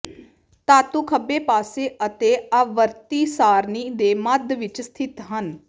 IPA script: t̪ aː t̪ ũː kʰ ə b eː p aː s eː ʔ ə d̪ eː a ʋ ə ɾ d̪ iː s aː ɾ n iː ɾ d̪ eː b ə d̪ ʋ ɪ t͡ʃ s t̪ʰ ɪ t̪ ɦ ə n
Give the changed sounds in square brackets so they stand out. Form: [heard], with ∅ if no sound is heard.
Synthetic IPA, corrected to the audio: t̪ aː t̪ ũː kʰ ə b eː p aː s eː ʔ ə [t̪] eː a ʋ ə ɾ [t̪] iː s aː ɾ n iː [∅] d̪ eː [m] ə d̪ ʋ ɪ t͡ʃ s t̪ʰ ɪ t̪ ɦ ə n

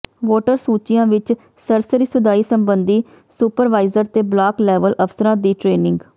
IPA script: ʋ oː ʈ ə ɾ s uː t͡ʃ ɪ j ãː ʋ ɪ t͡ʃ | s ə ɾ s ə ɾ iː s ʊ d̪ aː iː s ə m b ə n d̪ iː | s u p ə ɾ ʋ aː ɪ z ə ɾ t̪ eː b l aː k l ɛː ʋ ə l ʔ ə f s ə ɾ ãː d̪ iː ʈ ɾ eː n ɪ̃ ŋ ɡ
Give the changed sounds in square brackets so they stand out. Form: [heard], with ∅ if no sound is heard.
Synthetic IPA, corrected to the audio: ʋ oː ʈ ə ɾ s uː t͡ʃ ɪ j ãː ʋ ɪ t͡ʃ | s ə ɾ s ə ɾ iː s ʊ d̪ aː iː s ə m b ə n d̪ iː | s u p ə ɾ ʋ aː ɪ z ə ɾ t̪ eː b l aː k l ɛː ʋ ə l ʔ ə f s ə ɾ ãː d̪ iː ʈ ɾ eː n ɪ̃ ŋ ɡ

